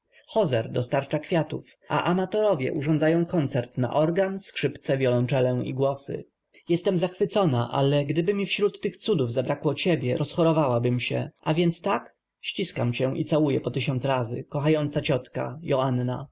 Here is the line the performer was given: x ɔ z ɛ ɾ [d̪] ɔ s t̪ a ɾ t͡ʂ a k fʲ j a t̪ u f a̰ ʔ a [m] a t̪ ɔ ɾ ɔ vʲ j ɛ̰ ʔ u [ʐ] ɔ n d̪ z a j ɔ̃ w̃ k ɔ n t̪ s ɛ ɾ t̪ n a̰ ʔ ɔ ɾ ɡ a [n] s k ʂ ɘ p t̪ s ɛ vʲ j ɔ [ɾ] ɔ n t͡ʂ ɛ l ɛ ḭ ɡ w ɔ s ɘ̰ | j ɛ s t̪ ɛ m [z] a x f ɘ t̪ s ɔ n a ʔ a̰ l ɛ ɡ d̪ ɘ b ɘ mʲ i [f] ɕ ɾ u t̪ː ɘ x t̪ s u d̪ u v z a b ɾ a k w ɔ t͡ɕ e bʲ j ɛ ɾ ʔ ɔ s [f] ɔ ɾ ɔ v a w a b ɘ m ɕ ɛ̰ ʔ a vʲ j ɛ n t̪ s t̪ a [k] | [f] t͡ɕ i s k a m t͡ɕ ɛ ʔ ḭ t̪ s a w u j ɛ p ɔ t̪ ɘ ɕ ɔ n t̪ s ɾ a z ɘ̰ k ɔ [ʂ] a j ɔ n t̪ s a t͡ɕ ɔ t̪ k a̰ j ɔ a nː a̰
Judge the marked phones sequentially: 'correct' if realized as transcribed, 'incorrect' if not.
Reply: correct, correct, correct, correct, incorrect: l, correct, correct, incorrect: x, correct, incorrect: ɕ, incorrect: x

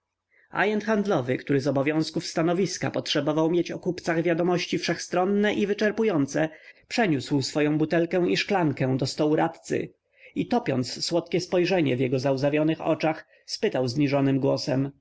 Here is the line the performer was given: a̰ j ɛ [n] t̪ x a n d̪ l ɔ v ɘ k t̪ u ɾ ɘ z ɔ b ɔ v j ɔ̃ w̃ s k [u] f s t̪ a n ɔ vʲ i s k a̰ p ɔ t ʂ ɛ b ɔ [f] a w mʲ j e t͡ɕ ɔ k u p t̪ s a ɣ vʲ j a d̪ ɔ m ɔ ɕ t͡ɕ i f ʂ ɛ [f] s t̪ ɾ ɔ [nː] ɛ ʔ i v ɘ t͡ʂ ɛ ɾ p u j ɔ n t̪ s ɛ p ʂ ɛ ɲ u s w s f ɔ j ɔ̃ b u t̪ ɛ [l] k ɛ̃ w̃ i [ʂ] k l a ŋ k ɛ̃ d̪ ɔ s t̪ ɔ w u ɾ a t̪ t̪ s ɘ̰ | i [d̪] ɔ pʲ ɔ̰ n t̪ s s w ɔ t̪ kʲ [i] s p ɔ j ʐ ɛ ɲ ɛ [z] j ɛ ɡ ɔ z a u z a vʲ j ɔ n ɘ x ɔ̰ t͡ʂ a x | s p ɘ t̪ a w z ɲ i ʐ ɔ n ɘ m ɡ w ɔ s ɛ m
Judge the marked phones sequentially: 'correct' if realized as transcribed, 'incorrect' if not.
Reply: correct, correct, incorrect: v, incorrect: x, correct, correct, correct, incorrect: t̪, incorrect: ɛ, incorrect: v

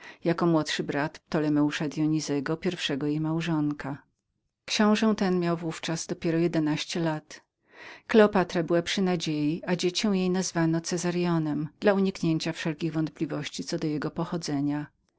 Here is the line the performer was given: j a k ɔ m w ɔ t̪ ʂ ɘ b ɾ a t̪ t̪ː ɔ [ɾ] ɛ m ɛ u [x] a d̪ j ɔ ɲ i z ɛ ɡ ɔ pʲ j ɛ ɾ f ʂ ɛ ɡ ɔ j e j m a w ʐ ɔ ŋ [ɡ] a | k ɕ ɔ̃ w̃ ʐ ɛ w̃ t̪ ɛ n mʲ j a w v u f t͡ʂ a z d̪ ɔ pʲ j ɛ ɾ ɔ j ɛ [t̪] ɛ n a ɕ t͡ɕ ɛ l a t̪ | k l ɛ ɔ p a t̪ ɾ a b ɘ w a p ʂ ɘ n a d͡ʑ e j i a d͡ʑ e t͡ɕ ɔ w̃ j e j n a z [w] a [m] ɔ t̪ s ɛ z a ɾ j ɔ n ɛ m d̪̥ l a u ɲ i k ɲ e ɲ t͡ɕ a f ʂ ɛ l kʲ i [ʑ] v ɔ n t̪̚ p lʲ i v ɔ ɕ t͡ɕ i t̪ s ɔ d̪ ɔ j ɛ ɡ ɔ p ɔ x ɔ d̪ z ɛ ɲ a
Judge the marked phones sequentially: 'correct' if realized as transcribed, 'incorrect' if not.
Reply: incorrect: l, incorrect: ʂ, incorrect: k, incorrect: d̪, incorrect: v, incorrect: n, incorrect: ɣ

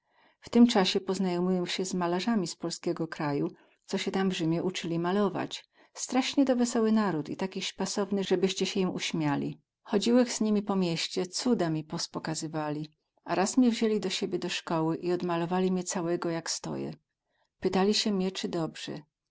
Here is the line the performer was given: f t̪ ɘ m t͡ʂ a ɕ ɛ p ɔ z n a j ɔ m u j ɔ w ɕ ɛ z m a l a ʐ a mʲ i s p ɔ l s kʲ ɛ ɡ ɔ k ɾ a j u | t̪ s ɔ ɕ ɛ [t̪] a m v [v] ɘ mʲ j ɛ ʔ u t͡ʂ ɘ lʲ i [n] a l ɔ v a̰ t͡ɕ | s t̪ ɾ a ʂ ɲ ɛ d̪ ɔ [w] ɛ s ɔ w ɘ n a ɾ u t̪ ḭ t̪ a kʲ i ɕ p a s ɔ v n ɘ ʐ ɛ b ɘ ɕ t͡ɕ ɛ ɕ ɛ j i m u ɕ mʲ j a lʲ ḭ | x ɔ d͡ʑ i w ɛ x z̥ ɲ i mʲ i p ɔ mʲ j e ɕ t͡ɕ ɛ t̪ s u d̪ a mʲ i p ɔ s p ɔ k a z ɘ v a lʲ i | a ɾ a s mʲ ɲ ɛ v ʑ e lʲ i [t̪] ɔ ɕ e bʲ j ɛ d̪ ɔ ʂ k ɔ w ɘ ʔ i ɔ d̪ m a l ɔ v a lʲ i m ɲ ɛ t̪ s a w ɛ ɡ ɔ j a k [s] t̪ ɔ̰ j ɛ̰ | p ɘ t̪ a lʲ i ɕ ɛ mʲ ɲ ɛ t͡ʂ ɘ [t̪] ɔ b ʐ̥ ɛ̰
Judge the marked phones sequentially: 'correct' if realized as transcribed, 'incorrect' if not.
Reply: correct, incorrect: ʐ, incorrect: m, incorrect: v, incorrect: d̪, correct, incorrect: d̪

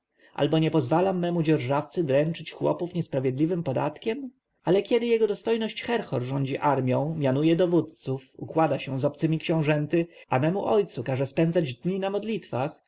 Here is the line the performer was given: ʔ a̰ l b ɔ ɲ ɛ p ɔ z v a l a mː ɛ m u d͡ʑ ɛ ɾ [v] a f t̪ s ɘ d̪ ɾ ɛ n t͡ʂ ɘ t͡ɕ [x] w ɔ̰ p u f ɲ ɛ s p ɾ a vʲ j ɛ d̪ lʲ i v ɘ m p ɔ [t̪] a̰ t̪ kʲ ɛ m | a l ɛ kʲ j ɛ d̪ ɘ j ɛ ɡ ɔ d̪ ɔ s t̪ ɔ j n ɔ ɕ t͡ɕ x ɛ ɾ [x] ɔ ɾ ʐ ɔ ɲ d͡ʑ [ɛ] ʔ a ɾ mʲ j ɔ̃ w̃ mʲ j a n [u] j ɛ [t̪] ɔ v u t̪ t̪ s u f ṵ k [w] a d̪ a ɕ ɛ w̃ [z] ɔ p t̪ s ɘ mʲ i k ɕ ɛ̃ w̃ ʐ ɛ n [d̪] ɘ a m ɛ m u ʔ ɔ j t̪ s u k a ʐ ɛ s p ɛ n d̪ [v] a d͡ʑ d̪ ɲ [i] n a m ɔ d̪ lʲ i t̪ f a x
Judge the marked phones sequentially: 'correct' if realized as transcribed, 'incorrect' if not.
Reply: incorrect: ʐ, correct, incorrect: d̪, correct, incorrect: i, correct, incorrect: d̪, correct, correct, incorrect: t̪, incorrect: z, correct

